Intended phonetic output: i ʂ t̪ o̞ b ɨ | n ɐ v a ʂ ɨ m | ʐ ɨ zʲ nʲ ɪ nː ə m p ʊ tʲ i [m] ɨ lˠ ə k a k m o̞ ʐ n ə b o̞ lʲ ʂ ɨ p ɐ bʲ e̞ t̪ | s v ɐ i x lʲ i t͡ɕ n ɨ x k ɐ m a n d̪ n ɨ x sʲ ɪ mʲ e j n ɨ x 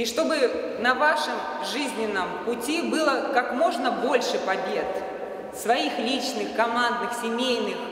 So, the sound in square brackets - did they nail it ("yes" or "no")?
no